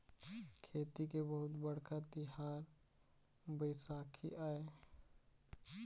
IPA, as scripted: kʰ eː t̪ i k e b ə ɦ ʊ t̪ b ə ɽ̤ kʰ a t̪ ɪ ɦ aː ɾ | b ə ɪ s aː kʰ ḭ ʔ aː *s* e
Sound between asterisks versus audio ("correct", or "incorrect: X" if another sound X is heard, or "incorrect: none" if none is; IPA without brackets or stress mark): incorrect: none